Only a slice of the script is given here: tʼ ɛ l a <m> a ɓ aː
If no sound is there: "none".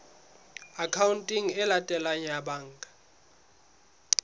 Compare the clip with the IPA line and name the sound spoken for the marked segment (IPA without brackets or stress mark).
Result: ɲ